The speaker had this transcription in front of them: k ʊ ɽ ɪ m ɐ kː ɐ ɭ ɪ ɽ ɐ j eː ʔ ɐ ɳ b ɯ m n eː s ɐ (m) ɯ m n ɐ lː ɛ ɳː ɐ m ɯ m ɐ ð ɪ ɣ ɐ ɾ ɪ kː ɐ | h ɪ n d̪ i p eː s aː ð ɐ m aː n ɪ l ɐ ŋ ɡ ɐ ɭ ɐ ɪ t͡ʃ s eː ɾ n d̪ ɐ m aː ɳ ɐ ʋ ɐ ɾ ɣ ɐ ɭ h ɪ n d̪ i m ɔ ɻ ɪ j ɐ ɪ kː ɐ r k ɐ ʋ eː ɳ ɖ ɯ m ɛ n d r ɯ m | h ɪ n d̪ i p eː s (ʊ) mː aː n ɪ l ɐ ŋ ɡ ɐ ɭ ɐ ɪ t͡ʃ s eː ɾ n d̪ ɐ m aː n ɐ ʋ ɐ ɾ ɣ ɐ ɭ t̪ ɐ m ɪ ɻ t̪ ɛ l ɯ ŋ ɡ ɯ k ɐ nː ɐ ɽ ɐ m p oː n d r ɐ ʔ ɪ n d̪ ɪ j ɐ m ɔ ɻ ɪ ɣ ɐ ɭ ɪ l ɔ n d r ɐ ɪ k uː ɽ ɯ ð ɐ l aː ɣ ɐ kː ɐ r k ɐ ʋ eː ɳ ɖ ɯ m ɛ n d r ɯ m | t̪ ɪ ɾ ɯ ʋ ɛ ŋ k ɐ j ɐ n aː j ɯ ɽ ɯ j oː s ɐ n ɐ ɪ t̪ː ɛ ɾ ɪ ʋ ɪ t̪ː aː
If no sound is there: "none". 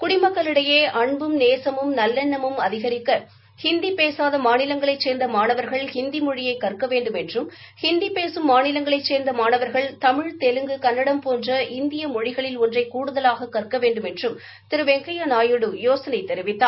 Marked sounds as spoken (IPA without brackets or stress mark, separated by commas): m, ɯ